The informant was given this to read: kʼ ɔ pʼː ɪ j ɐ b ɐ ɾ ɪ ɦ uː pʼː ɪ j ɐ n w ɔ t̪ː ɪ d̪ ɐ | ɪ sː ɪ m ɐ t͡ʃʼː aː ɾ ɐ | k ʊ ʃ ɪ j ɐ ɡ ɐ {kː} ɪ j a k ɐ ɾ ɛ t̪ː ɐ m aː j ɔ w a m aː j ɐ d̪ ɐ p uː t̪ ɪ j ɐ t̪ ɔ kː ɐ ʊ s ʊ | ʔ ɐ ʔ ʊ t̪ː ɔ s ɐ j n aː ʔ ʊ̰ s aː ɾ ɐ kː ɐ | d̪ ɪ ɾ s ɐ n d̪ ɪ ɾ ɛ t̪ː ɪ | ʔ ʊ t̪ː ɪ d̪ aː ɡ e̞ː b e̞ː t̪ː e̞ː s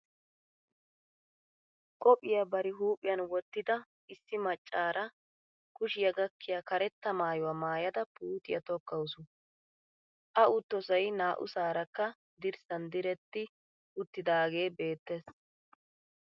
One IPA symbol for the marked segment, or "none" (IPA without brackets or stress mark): kː